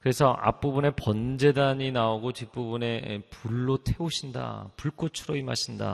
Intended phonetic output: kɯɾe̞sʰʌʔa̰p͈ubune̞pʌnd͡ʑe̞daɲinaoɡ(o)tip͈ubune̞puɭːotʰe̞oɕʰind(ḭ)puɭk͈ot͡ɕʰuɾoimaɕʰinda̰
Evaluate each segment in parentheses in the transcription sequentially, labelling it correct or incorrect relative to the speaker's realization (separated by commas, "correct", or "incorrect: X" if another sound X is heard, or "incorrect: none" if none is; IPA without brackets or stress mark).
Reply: correct, incorrect: a̰